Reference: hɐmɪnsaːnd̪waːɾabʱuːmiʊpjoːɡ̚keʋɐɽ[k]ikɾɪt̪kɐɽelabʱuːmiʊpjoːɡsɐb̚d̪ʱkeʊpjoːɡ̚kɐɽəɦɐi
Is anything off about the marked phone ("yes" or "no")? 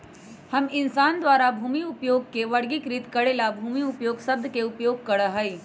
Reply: yes